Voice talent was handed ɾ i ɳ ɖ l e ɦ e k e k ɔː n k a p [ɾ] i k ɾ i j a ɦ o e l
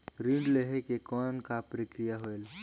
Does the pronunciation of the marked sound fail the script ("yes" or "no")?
no